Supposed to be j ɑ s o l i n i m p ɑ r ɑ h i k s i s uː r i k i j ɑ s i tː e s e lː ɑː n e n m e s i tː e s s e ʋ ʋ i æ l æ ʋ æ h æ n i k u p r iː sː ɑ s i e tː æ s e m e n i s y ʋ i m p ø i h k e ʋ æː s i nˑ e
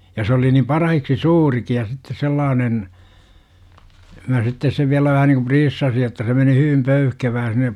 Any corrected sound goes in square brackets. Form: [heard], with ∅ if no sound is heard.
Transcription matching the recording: j ɑ s o l i n i m p ɑ r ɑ h i k s i s uː r i k i j ɑ s i tː e s e lː ɑː n e n m [æ] s i tː e s s e ʋ ʋ i æ l æ ʋ æ h æ n i k u p r iː sː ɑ s i e tː æ s e m e n i [h] y ʋ i m p ø [y] h k e ʋ æː s i nˑ e

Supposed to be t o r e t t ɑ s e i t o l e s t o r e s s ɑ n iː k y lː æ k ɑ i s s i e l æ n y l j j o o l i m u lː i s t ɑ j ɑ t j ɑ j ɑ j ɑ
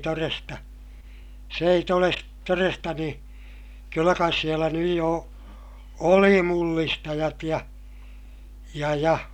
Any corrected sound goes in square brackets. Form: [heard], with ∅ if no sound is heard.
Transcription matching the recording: t o r e [s] t ɑ s e i t o l e s t o r e s [t] ɑ n iː k y lː æ k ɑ i s s i e l æ n y [∅] j j o o l i m u lː i s t ɑ j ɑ t j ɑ j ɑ j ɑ

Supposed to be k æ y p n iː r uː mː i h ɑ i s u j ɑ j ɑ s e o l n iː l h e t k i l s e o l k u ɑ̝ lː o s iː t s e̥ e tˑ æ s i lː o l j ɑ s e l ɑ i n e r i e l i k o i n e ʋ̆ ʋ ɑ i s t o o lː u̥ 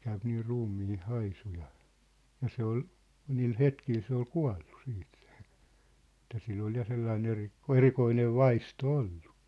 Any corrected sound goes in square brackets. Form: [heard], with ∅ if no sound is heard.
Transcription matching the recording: k æ y p n iː r uː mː [iː] h ɑ i s u j ɑ j ɑ s e o l n iː l h e t k i l s e o l k u ɑ̝ lː [u] s iː t s e̥ e tˑ æ s i lː o l j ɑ s e [lː] ɑ i n e r i e [r] i k o i n e ʋ̆ ʋ ɑ i s t o o lː u̥

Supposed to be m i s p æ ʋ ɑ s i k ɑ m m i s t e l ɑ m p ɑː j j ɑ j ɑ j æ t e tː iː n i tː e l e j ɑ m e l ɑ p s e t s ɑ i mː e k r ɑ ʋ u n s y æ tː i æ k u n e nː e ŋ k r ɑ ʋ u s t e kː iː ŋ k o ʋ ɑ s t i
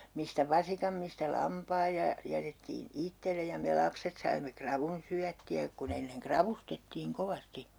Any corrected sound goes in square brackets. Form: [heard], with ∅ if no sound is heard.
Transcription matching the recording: m i s [t] æ ʋ ɑ s i k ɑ m m i s t [æ] l ɑ m p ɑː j j ɑ j ɑ j æ t e tː iː n i tː e l e j ɑ m e l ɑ p s e t s ɑ i mː e k r ɑ ʋ u n s y æ tː i æ k u n e nː e ŋ k r ɑ ʋ u s t e [tː] iː ŋ k o ʋ ɑ s t i

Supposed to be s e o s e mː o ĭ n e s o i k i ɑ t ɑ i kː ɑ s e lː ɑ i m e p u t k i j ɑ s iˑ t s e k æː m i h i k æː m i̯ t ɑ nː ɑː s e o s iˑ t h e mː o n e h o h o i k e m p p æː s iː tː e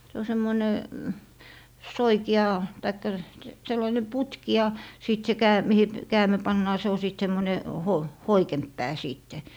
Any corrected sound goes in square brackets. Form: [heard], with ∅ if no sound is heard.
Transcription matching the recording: s e o s e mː o ĭ n e s o i k i ɑ t ɑ i kː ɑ s e lː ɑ i [n] e p u t k i j ɑ s iˑ t s e k æː m i h i k æː m i̯ [p] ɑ nː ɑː s e o s iˑ t [s] e mː o n e h o h o i k e m p p æː s iː tː e

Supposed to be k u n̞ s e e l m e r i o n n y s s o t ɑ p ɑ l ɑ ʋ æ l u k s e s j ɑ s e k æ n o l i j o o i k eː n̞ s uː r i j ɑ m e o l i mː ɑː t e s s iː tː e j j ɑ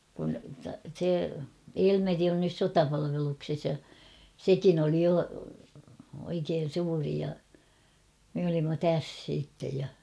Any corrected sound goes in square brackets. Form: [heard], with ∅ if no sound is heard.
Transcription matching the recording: k u n̞ s e e l m e r i o n n y s s o t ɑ p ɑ l ɑ ʋ [e] l u k s e s j ɑ s e k [i] n o l i j o o i k eː n̞ s uː r i j ɑ m e o l i mː [ɑ] t [æ] s s iː tː e j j ɑ

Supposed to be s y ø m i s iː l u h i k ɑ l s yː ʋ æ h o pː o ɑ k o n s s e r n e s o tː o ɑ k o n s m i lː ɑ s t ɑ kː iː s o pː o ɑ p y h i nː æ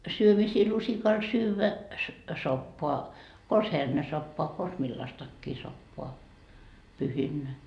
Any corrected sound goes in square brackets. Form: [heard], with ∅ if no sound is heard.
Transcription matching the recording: s y ø m i s iː l u [s] i k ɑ l s yː ʋ æ [s] o pː o ɑ k o n s [h] e r n e s o [pː] o ɑ k o n s m i lː ɑ s t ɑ kː iː s o pː o ɑ p y h i nː æ

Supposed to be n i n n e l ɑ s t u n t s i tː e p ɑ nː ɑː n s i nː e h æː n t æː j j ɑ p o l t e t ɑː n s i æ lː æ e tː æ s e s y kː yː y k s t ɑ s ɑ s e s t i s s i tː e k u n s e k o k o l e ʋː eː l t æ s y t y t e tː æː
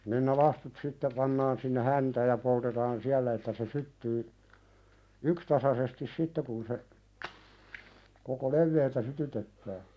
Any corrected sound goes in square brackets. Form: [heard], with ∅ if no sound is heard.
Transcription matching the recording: n i n n e l ɑ s t u [∅] t s i tː e p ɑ nː ɑː n s i nː e h [æ] n t æː j j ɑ p o l t e t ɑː n s i æ lː æ e tː æ s e s y [tː] yː y k s t ɑ s ɑ s e s t i s s i tː e k u n s e k o k o l e ʋː eː l t æ s y t y t e tː æː

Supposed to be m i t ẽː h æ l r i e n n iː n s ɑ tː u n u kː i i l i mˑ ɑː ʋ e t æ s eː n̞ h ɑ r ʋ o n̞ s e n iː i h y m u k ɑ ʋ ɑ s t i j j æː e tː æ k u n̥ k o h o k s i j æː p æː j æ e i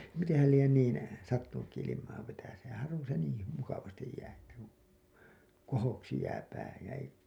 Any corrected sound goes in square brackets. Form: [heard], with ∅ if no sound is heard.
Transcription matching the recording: m i t ẽː h æ l [l] i e n n iː n s ɑ tː u n u kː i i l i mˑ ɑː ʋ e t æ s eː n̞ h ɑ r ʋ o n̞ s e n iː i h y m u k ɑ ʋ ɑ s t i j j æː e tː æ k u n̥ k o h o k s i j æː p æː j æ e i

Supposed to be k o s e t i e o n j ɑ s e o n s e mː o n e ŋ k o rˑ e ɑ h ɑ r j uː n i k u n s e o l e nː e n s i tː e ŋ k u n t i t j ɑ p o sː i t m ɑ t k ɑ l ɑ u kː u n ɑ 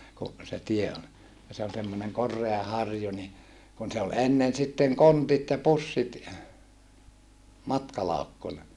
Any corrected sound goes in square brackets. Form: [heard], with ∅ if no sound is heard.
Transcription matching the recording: k [u] s e t i e o n j ɑ s e o n s e mː o n e ŋ k o rˑ e ɑ h ɑ r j [u] n i k u n s e o l e nː e n s i tː e ŋ k [o] n t i t j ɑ p [u] sː i t m ɑ t k ɑ l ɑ u kː u n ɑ

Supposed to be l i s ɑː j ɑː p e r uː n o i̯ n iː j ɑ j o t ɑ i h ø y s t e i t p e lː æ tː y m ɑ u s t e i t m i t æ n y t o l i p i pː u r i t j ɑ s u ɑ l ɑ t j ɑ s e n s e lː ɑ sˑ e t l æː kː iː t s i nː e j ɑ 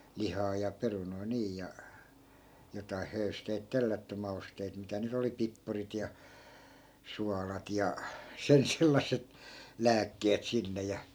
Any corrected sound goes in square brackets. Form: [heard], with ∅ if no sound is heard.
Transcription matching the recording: l i [h] ɑː j [ɑ] p e r [u] n o i̯ n iː j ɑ j o t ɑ i h ø y s t e i t [t] e lː æ tː y m ɑ u s t e i t m i t æ n y t o l i p i pː u r i t j ɑ s u ɑ l ɑ t j ɑ s e n s e lː ɑ sˑ e t l æː kː [eː] t s i nː e j ɑ

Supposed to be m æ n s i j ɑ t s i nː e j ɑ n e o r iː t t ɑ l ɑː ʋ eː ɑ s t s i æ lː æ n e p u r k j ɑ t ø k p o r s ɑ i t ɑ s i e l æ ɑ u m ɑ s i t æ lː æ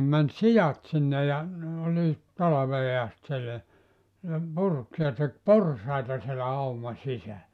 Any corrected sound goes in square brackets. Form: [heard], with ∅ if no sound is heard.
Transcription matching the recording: m æ n s i j ɑ t s i nː e j ɑ n e o [l] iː t t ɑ l [ɑ] ʋ eː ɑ s t s i [e] lː æ n e p u r k j ɑ t [e] k p o r s ɑ i t ɑ s i e l æ ɑ u m ɑ s i [s] æ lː æ

